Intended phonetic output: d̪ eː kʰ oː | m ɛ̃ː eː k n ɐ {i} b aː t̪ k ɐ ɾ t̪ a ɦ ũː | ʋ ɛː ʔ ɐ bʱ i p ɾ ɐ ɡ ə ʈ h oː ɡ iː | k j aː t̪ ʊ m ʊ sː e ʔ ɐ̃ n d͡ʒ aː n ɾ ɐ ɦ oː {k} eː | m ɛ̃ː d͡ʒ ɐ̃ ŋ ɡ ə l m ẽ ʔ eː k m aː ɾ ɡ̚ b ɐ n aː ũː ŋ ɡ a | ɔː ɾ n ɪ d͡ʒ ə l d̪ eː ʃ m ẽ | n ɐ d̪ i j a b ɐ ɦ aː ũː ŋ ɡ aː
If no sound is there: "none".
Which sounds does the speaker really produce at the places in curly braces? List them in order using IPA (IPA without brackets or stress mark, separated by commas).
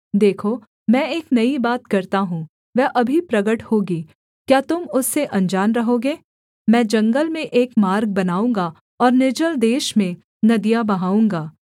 i, ɡ